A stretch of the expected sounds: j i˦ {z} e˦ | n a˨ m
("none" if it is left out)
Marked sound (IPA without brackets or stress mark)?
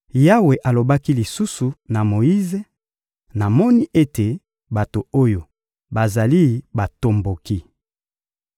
z